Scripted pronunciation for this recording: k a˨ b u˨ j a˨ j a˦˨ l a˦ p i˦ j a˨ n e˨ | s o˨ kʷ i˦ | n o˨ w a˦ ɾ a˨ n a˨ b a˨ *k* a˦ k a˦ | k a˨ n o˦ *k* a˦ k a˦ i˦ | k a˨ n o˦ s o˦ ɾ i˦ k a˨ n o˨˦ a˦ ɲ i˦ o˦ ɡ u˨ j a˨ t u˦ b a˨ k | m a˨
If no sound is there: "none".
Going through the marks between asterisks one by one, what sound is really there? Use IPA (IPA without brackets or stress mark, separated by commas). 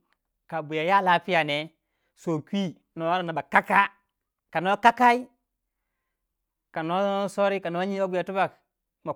k, k